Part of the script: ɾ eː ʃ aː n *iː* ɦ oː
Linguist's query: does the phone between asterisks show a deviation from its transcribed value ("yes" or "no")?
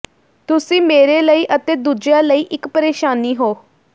no